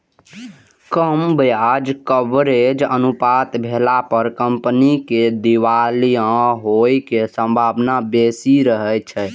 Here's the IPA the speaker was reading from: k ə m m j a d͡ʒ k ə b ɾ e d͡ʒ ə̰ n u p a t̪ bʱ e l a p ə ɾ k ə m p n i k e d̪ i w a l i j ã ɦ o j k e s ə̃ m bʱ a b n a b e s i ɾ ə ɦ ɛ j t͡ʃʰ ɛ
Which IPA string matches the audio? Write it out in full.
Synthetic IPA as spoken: k ə m b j a d͡ʒ k ə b ɾ e d͡ʒ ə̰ n u p a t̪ bʱ e l a p ə ɾ k ə m p n i k e d̪ i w a l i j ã ɦ o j k e s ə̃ m bʱ a b n a b e s i ɾ ə ɦ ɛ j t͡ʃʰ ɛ

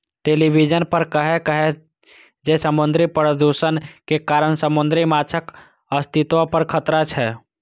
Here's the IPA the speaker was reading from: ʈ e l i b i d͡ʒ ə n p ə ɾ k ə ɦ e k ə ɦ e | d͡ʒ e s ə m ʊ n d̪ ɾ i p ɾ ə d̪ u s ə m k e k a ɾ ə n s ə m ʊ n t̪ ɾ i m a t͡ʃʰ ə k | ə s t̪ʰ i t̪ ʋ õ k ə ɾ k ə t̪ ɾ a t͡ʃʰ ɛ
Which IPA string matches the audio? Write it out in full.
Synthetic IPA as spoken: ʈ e l i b i d͡ʒ ə n p ə ɾ k ə ɦ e k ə ɦ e | d͡ʒ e s ə m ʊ n d̪ ɾ i p ɾ ə d̪ u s ə n k e k a ɾ ə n s ə m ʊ n d̪ ɾ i m a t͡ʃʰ ə k | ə s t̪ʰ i t̪ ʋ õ p ə ɾ kʰ ə t̪ ɾ a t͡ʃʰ ɛ

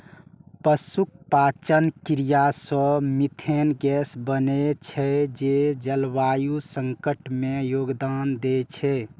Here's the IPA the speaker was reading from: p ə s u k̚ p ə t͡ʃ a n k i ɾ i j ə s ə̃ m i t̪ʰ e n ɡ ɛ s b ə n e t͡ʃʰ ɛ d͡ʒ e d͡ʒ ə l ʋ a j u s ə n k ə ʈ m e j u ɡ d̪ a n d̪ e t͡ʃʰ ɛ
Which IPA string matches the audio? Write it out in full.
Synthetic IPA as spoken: p ə s u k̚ p a t͡ʃ ə n k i ɾ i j a s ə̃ m i t̪ʰ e n ɡ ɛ s b ə n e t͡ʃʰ ɛ d͡ʒ e d͡ʒ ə l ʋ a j u s ə ŋ k ə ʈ m e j o ɡ d̪ a n d̪ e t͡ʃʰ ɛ

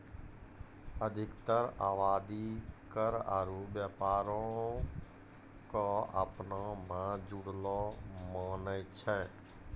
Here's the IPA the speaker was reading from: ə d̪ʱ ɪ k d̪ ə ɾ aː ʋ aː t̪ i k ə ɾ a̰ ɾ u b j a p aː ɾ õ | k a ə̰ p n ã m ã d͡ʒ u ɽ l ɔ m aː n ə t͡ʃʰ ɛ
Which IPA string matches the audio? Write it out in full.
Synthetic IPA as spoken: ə d̪ʱ ɪ k t̪ ə ɾ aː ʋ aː d̪ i k ə ɾ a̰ ɾ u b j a p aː ɾ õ | k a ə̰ p n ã m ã d͡ʒ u ɽ l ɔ m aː n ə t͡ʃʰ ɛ

